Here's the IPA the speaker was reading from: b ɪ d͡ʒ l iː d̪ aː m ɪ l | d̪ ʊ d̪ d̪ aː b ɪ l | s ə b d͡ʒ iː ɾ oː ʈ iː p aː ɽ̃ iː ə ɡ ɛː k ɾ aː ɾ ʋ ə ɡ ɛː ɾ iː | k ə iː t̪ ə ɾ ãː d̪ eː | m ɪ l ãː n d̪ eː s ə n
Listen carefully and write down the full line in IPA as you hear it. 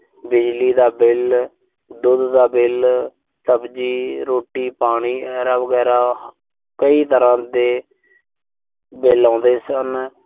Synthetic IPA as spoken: b ɪ d͡ʒ l iː d̪ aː b ɪ l | d̪ ʊ d̪ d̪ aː b ɪ l | s ə b d͡ʒ iː ɾ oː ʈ iː p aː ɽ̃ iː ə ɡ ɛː ɾ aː ʋ ə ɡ ɛː ɾ aː | k ə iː t̪ ə ɾ ãː d̪ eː | b ɪ l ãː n d̪ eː s ə n